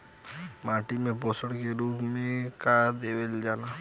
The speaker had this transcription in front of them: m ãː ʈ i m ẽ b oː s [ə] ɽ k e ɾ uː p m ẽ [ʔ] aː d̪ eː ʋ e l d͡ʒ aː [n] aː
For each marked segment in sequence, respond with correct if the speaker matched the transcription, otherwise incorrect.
correct, incorrect, correct

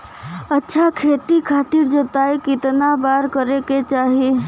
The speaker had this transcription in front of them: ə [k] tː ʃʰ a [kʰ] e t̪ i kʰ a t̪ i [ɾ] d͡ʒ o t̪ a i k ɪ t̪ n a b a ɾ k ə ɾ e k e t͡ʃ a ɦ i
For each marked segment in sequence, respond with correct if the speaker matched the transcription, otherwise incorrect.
incorrect, correct, correct

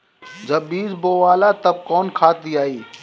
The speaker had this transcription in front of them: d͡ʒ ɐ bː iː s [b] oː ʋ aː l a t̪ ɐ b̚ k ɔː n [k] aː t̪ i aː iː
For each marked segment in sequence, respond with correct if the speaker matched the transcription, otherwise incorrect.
correct, incorrect

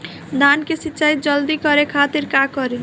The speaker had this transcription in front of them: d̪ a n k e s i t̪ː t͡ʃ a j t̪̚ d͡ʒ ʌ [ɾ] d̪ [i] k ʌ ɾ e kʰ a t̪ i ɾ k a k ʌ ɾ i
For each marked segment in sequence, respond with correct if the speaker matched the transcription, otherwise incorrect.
incorrect, correct

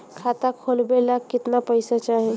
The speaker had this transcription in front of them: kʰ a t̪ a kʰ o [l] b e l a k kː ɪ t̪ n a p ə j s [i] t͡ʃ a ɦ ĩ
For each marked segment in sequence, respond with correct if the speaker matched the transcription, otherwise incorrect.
correct, incorrect

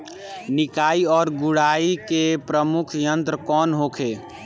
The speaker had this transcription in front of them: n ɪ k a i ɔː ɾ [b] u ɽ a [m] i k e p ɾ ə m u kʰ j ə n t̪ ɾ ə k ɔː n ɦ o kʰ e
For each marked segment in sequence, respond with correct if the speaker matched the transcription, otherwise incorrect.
incorrect, incorrect

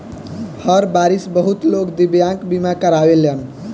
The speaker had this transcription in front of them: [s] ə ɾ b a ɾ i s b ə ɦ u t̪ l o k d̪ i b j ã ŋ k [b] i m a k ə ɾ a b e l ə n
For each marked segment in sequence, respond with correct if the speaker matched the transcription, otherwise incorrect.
incorrect, correct

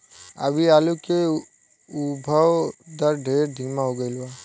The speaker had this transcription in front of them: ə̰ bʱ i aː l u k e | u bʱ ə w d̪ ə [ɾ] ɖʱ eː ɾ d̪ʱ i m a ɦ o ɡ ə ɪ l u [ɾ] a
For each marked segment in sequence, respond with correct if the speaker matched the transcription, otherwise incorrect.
correct, incorrect

